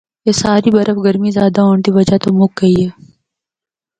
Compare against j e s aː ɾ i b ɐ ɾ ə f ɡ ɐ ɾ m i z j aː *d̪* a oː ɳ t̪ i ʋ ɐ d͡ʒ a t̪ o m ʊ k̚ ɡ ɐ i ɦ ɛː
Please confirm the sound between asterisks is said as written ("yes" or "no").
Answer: yes